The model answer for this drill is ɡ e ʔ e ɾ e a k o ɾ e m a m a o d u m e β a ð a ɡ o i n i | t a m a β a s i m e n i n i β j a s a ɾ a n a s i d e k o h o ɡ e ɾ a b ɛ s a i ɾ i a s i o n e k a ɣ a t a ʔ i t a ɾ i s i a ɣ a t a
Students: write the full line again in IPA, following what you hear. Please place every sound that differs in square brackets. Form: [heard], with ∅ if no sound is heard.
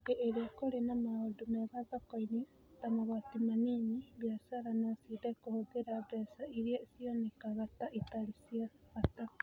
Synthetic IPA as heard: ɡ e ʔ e ɾ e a k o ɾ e [n] a m a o d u m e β a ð a [k] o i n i | t a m a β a [t] i m [a] n i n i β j a s a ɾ a n a s i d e k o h o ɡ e ɾ a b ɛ s a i ɾ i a s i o n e k a ɣ a t a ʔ i t a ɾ i s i a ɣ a t a